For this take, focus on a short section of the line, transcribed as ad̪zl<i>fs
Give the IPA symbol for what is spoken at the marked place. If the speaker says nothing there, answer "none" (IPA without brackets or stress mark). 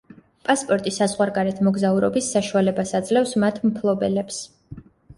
ɛ